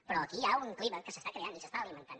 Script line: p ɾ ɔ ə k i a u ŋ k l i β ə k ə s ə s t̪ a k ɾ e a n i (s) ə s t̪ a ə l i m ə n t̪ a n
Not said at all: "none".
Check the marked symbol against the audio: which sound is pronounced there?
s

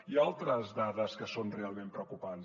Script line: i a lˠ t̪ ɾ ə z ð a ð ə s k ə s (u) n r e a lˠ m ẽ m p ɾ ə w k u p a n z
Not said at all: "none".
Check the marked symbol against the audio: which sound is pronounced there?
o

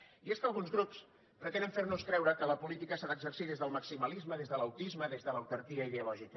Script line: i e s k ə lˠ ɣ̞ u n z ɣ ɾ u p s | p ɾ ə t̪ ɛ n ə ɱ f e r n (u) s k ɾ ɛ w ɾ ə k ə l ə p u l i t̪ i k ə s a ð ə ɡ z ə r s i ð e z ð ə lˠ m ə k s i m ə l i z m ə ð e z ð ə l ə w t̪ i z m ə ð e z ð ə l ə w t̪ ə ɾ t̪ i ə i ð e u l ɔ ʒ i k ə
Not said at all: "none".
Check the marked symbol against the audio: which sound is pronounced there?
u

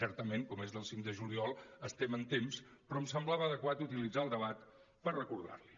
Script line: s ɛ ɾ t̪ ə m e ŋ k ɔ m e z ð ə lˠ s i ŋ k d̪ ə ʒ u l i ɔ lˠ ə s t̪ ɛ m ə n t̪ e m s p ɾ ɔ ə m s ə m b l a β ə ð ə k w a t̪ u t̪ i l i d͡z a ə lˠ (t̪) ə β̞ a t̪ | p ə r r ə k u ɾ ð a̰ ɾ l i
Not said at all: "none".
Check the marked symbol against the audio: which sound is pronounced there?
d̪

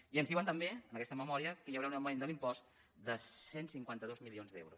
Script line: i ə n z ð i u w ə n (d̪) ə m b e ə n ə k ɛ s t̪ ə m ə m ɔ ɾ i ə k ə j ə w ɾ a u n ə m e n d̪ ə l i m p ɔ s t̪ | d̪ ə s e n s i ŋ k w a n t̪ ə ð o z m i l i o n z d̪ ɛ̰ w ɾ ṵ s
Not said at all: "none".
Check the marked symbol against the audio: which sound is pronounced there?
t̪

